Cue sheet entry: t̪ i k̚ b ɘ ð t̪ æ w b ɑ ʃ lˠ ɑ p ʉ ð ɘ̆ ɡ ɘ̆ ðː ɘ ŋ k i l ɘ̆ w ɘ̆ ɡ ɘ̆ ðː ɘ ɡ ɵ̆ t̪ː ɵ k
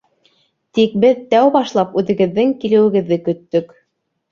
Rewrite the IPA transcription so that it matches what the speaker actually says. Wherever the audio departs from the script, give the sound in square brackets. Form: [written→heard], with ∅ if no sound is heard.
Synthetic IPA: t̪ i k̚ b ɘ ð t̪ æ w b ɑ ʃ lˠ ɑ p ʉ ð ɘ̆ ɡ ɘ̆ ðː ɘ ŋ k i l ɘ̆ w ɘ̆ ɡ ɘ̆ ðː ɘ [ɡ→k] ɵ̆ t̪ː ɵ k